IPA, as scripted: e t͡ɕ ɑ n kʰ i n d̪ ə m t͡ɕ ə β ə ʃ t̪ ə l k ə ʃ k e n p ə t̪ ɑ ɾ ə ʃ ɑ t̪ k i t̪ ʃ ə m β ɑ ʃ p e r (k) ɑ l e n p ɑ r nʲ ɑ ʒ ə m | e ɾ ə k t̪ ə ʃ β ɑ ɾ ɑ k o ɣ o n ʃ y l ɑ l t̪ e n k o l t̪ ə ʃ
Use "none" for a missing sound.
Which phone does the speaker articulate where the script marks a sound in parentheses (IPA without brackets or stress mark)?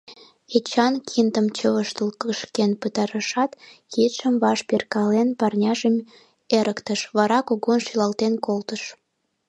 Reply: k